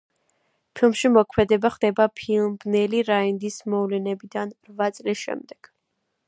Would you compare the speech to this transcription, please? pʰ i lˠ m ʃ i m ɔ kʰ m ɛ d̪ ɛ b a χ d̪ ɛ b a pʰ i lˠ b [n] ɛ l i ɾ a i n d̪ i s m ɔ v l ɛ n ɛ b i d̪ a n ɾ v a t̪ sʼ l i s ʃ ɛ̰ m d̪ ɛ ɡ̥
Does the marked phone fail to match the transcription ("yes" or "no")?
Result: no